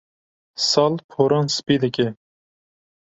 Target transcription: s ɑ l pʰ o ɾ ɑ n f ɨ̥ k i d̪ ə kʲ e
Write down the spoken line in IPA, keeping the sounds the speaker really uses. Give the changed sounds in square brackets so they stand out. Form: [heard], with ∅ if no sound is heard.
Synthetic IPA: s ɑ l pʰ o ɾ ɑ n [s] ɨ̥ [p] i d̪ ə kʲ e